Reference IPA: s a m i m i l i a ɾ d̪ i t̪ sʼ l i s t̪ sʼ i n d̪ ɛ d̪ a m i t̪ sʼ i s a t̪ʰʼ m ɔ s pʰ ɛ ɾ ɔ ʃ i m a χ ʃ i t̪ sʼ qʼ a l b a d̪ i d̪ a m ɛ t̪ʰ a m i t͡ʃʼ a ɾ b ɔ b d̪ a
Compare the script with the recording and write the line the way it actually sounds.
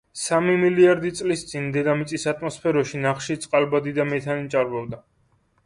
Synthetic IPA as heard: s a m i m i l i a ɾ d̪ i t̪ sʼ l i s t̪ sʼ i n d̪ ɛ d̪ a m i t̪ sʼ i s a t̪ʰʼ m ɔ s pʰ ɛ ɾ ɔ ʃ i n a χ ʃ i t̪ sʼ qʼ a l b a d̪ i d̪ a m ɛ t̪ʰ a n i t͡ʃʼ a ɾ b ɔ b d̪ a